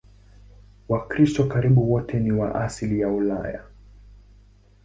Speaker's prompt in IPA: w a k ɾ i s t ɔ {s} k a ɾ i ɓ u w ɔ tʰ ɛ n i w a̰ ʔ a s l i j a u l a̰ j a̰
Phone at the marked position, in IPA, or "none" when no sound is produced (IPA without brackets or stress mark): none